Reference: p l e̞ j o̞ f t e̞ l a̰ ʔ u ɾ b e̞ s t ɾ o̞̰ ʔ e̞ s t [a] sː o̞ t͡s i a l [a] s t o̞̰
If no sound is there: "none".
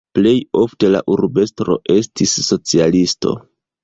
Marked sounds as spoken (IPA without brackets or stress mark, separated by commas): i, i